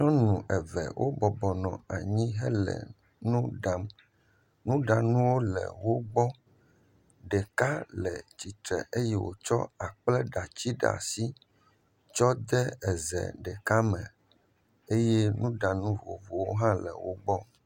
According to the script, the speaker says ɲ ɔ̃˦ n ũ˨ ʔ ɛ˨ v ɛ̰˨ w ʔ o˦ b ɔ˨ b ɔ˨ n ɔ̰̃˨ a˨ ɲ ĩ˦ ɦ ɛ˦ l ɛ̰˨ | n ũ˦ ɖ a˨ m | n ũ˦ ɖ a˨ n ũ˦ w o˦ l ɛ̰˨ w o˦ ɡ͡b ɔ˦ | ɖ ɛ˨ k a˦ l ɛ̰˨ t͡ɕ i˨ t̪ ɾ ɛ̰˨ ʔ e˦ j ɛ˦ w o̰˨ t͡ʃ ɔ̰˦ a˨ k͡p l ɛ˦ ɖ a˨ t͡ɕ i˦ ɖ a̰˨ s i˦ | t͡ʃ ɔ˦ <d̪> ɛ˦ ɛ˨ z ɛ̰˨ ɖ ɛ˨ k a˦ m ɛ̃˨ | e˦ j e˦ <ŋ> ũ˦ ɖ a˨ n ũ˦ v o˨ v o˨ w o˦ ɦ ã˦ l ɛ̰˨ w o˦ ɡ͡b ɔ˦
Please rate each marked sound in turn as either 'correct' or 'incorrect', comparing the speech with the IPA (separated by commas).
correct, incorrect